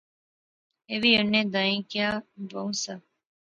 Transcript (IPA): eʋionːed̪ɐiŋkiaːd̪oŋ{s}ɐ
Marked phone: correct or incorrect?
correct